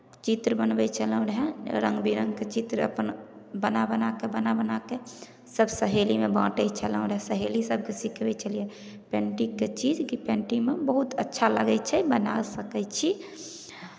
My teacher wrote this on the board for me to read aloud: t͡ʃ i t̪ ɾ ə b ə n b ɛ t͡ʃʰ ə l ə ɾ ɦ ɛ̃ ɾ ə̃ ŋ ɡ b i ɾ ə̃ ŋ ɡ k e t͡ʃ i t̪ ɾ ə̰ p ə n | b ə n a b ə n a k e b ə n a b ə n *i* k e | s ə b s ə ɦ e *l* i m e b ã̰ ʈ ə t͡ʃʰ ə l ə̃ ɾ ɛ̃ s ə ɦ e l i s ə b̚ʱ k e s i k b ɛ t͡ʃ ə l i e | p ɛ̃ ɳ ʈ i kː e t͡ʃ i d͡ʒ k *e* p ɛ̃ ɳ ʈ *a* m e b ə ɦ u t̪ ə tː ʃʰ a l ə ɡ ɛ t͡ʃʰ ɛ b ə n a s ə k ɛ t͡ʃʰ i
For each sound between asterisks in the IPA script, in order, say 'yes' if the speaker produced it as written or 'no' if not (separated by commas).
no, yes, no, no